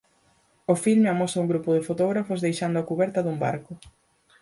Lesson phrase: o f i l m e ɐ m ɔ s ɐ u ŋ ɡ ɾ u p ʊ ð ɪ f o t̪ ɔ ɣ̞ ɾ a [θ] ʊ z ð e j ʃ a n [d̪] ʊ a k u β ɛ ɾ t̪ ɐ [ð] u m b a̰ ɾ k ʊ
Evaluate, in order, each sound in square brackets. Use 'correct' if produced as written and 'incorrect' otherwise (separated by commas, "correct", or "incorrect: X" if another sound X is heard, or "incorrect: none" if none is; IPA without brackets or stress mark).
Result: incorrect: f, correct, correct